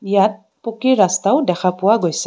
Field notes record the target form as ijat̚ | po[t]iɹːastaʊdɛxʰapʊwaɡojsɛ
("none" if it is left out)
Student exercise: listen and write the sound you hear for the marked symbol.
k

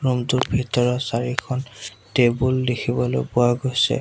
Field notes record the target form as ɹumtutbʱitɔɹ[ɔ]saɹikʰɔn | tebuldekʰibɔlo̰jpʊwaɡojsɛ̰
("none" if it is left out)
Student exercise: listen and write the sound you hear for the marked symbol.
ɔ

